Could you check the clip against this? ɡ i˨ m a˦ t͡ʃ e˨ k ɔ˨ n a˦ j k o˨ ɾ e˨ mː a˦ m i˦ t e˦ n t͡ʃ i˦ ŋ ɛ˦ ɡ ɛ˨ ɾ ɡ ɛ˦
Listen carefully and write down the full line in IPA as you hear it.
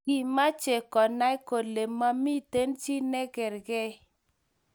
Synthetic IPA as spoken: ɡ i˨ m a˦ t͡ʃ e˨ k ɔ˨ n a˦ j k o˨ l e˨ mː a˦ m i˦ t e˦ n t͡ʃ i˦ n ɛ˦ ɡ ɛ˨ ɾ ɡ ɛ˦